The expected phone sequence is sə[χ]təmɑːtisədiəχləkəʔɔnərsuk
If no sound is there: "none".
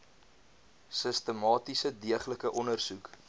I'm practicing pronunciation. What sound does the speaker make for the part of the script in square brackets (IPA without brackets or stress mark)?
s